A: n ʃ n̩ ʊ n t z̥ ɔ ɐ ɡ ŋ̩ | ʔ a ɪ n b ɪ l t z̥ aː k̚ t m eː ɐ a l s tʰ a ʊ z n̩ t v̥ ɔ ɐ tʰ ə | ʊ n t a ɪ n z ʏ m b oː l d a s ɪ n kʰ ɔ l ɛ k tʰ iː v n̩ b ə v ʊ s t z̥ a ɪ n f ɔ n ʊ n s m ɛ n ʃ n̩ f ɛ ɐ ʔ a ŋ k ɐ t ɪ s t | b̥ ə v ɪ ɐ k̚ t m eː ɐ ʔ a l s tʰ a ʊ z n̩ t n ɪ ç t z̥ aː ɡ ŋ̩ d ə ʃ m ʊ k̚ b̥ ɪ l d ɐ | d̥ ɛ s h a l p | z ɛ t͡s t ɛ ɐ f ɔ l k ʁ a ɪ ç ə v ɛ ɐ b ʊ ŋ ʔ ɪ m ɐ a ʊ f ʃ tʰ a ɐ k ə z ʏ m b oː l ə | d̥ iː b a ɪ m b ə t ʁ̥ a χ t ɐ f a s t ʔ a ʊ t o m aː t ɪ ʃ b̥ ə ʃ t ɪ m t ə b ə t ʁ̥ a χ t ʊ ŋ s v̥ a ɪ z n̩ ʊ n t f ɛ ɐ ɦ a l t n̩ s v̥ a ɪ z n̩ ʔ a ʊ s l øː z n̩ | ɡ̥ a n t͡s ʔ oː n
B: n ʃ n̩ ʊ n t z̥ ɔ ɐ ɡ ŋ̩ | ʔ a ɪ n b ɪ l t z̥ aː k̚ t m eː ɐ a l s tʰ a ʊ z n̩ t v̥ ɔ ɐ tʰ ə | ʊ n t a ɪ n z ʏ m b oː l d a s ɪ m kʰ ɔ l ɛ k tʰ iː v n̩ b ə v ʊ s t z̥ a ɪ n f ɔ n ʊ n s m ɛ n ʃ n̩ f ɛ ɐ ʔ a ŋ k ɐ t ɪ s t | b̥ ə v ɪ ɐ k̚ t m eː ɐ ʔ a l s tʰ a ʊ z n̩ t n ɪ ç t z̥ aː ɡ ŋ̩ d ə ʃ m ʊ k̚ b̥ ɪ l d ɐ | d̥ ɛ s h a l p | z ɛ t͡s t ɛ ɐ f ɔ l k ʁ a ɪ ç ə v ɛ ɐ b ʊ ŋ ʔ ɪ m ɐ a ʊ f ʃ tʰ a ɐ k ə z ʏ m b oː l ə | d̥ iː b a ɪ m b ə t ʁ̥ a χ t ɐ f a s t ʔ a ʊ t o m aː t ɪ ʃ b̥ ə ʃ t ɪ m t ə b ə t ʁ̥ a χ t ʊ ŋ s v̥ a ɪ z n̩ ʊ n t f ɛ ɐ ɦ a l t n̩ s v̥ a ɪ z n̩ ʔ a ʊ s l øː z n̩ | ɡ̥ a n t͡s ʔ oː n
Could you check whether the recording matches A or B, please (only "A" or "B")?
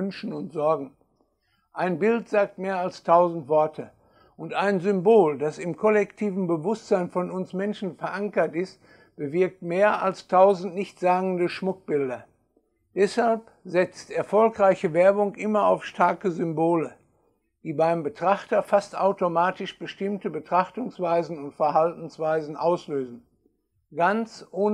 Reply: B